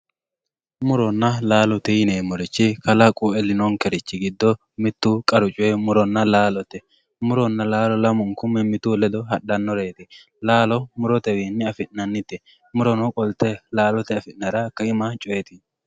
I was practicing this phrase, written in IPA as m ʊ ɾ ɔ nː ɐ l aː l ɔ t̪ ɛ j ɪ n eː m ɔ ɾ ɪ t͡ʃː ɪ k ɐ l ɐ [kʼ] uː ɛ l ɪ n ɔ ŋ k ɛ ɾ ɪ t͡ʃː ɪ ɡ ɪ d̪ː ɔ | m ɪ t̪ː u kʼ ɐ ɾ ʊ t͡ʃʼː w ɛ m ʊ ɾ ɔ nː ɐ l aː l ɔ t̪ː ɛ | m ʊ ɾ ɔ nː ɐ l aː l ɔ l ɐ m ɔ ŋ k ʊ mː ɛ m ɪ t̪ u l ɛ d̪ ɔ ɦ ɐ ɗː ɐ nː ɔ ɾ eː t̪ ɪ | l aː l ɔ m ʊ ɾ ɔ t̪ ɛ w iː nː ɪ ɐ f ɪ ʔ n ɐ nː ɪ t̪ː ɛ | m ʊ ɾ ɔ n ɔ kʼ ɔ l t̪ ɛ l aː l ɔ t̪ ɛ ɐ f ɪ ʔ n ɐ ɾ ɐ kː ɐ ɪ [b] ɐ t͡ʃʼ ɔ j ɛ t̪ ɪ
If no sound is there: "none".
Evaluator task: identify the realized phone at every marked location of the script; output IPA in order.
kʼ, m

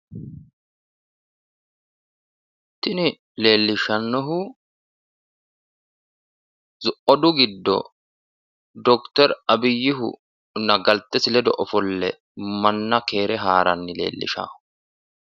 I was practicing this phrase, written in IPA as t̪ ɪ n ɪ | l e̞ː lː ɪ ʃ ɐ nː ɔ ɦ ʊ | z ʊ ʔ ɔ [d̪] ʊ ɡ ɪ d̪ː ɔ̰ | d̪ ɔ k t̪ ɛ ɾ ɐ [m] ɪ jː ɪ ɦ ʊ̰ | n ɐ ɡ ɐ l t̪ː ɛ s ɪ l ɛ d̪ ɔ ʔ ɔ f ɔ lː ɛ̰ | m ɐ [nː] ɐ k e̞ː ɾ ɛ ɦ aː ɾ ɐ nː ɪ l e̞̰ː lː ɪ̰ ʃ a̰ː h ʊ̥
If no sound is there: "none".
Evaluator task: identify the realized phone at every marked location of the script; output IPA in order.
d̪, b, nː

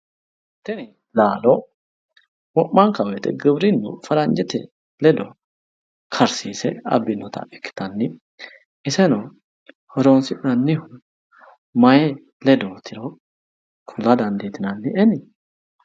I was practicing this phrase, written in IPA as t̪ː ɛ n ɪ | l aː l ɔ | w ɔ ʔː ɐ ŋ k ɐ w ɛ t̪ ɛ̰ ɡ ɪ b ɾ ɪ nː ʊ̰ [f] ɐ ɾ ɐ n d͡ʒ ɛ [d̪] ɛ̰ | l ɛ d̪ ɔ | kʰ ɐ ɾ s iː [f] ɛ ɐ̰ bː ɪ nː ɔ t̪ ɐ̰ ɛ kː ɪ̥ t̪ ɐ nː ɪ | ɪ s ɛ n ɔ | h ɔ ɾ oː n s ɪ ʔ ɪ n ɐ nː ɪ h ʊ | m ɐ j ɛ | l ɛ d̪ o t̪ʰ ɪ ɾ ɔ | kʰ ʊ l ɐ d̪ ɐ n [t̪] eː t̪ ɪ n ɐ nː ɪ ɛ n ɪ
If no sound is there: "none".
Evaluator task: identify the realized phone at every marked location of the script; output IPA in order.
f, t̪, s, d̪

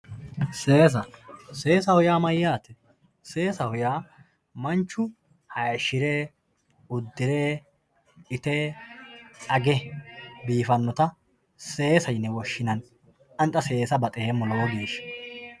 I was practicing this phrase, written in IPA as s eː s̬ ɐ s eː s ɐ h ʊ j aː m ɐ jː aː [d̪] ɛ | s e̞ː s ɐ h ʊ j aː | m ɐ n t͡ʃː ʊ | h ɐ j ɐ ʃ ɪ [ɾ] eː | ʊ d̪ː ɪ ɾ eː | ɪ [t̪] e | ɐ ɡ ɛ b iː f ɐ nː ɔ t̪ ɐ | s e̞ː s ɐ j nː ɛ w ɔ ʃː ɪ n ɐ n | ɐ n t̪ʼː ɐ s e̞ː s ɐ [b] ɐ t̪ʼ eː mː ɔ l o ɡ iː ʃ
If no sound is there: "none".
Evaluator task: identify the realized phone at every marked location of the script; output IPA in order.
t̪, ɾ, t̪, b

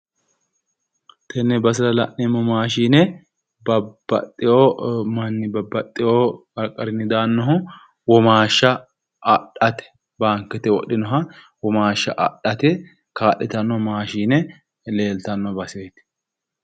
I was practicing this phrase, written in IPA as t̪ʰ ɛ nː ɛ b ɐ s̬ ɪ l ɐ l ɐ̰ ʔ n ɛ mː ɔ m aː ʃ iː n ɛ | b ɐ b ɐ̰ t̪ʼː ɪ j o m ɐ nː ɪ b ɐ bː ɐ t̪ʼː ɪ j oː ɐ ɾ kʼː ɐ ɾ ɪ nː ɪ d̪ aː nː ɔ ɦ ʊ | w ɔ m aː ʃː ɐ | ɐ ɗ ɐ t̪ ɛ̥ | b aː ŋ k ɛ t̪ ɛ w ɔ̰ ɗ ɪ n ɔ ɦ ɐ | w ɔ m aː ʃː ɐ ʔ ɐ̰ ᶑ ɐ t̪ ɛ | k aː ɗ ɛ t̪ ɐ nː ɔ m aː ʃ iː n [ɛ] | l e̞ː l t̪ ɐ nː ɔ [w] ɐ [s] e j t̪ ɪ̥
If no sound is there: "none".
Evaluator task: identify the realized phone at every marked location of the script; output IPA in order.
ɛ, b, s

